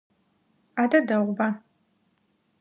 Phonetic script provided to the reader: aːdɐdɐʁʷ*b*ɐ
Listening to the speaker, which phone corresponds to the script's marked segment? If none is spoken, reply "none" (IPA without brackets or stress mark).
b